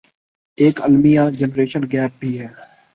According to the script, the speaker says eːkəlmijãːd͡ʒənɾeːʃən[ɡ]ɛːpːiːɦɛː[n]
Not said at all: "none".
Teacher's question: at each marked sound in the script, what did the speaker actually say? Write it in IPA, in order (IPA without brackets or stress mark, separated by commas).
ɡ, none